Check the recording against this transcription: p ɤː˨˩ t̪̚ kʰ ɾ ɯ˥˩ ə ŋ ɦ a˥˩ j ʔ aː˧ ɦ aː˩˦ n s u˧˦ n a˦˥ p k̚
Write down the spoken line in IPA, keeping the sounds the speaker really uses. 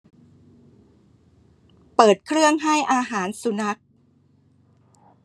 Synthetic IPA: p ɤː˨˩ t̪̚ kʰ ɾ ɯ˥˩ ə ŋ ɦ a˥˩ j ʔ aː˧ ɦ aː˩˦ n s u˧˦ n a˦˥ k̚